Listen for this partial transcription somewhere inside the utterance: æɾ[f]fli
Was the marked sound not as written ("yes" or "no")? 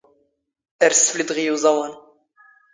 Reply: yes